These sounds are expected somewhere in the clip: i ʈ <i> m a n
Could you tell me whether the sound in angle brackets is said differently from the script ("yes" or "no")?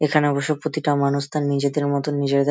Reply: yes